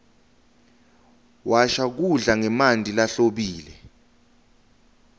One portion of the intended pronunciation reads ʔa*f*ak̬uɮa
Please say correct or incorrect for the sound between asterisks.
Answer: incorrect